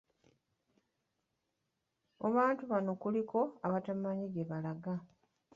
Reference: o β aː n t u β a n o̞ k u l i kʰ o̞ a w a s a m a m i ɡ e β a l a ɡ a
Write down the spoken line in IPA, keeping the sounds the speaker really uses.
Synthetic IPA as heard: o β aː n t u β a n o̞ k u l i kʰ o̞ a β a t a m a ɲ i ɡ e β a l a ɡ a